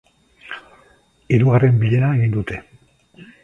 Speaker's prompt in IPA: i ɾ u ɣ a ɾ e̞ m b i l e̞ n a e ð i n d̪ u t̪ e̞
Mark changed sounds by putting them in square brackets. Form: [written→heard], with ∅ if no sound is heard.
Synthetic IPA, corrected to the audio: i ɾ u ɣ a [ɾ→r] e̞ m b i [l→ʎ] e̞ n a e [ð→ɣ] i n d̪ u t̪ e̞

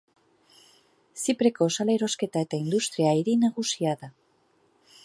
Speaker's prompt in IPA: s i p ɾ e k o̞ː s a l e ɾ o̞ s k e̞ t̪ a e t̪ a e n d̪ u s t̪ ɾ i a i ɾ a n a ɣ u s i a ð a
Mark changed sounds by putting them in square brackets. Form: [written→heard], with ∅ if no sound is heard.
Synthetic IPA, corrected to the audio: s i p ɾ e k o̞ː s a l e ɾ o̞ s k e̞ t̪ a e t̪ a [e→i] n d̪ u s t̪ ɾ i a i ɾ [a→i] n a ɣ u s i a ð a

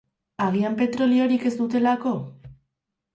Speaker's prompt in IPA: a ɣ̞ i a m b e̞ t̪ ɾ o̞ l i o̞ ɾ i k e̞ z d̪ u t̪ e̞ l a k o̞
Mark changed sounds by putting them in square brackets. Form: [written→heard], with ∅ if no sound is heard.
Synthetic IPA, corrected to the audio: a ɣ̞ i a m [b→p] e̞ t̪ ɾ o̞ l i o̞ ɾ i k e̞ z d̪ u t̪ e̞ l a k o̞

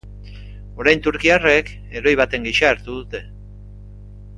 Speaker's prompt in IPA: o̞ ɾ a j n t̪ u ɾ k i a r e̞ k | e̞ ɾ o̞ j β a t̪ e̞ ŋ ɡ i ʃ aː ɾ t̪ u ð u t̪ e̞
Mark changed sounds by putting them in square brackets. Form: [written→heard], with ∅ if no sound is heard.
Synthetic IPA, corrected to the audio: o̞ ɾ a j n t̪ u ɾ k i a r e̞ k | e̞ ɾ o̞ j β a t̪ e̞ ŋ ɡ i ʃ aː ɾ t̪ u ð u t̪ e̞

